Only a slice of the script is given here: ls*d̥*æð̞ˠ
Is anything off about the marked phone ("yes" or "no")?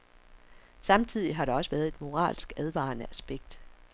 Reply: yes